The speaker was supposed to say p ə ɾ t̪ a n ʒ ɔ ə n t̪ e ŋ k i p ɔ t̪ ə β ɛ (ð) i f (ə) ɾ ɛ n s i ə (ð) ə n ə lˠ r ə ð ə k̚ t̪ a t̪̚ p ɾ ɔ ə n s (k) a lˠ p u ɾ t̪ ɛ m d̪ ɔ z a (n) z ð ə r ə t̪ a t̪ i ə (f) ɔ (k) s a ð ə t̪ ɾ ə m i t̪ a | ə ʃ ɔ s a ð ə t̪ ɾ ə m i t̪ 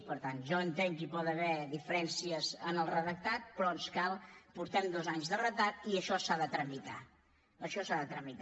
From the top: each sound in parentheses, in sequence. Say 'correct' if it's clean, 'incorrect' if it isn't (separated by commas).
correct, correct, incorrect, correct, incorrect, incorrect, incorrect